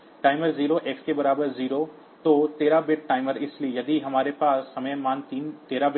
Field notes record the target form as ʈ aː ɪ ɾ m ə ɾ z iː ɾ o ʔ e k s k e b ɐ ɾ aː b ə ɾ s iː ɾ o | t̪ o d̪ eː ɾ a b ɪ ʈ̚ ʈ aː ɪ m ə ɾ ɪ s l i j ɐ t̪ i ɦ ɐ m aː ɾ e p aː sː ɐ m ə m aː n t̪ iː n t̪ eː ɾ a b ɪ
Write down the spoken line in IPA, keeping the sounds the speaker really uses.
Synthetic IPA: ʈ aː ɪ m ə ɾ z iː ɾ o ʔ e k s k e b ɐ ɾ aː b ə ɾ z iː ɾ o | t̪ o t̪ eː ɾ a b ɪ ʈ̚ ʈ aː ɪ m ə ɾ ɪ s l i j ɐ d̪ i ɦ ɐ m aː ɾ e p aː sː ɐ m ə m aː n t̪ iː n t̪ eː ɾ a b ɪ